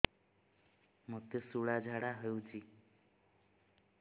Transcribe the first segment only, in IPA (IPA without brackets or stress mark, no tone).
m